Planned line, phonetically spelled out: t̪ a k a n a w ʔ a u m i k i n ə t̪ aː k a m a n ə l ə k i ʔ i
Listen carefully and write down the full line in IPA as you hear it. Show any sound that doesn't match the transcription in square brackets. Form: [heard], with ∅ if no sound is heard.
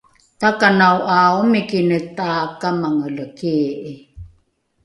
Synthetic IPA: t̪ a k a n a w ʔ a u m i k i n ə t̪ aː k a m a [ŋ] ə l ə k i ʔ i